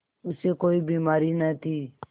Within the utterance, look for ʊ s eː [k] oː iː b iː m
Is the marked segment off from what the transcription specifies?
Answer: no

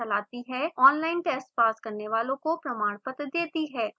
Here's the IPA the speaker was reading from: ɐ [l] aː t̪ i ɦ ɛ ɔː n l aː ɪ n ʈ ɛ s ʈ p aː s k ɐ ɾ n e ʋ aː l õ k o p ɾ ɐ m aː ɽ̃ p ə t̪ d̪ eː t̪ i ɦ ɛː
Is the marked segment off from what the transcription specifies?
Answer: no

